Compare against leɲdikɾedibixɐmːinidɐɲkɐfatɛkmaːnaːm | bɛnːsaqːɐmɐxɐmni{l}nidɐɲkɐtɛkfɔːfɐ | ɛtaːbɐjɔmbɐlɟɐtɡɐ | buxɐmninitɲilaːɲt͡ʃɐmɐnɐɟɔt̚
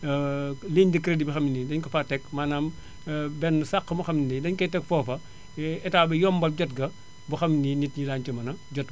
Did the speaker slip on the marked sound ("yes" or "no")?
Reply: yes